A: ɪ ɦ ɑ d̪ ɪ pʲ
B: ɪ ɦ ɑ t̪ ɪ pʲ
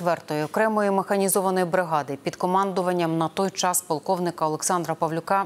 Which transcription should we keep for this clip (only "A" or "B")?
A